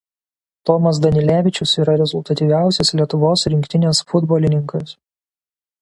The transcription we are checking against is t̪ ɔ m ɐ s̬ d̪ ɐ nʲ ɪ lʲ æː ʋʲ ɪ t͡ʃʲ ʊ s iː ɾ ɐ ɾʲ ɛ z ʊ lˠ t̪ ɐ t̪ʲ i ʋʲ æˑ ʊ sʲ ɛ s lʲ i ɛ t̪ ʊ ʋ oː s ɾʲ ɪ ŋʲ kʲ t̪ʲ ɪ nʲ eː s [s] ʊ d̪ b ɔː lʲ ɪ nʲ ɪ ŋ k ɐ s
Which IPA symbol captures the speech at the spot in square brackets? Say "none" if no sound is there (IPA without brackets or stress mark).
f